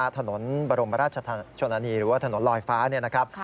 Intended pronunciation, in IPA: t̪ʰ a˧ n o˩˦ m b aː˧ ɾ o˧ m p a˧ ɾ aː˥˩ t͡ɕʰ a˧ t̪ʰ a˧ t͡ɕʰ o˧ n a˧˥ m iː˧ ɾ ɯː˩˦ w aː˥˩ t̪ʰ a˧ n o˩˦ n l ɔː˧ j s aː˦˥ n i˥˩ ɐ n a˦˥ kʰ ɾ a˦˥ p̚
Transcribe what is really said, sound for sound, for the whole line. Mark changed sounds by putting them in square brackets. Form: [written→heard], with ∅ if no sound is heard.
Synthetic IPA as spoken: t̪ʰ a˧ n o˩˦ [m→n] b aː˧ ɾ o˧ m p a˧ ɾ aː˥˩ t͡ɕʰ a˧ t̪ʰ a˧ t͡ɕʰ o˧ n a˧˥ [m→n] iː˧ ɾ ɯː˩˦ w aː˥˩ t̪ʰ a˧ n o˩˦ n l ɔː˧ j [s→f] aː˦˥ n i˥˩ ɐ n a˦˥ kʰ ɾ a˦˥ p̚